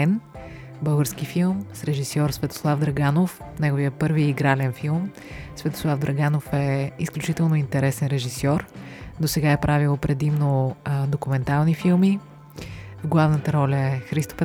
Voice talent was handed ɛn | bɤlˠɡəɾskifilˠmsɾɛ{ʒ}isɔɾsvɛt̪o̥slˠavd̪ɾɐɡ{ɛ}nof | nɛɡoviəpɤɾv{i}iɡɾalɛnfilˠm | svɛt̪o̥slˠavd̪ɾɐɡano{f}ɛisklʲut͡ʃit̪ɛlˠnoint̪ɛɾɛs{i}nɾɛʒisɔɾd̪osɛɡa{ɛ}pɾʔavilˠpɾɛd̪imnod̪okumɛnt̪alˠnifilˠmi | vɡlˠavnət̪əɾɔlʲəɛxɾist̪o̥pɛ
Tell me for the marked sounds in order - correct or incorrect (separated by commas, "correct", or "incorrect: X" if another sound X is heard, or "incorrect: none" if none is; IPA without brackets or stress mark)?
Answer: correct, incorrect: a, correct, correct, incorrect: ɛ, correct